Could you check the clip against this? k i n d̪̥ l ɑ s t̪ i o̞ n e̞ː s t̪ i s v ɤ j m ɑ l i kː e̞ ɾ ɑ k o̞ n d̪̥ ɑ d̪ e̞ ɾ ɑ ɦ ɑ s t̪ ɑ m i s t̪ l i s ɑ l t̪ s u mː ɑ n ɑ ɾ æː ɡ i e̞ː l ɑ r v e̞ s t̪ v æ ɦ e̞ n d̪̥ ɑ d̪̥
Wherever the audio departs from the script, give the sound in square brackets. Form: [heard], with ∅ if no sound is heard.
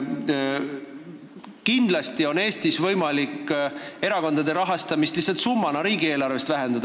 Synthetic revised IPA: k i n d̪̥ l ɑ s t̪ i o̞ n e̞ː s t̪ i s v ɤ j m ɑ l i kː e̞ ɾ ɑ k o̞ n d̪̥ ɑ d̪ e̞ ɾ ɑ ɦ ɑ s t̪ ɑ m i s t̪ l i s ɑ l t̪ s u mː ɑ n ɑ ɾ [iː] ɡ i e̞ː l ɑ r v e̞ s t̪ v æ ɦ e̞ n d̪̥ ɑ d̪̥